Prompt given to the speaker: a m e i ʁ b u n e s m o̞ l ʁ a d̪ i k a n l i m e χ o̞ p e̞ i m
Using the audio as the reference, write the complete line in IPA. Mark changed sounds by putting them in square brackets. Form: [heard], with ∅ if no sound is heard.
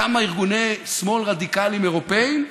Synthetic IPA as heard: a m [a] i ʁ [ɡ] u n e s m o̞ l ʁ a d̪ i k a [∅] l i m e [ʁ] o̞ p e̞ i m